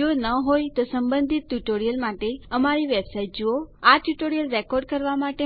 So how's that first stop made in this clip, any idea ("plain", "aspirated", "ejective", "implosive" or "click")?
plain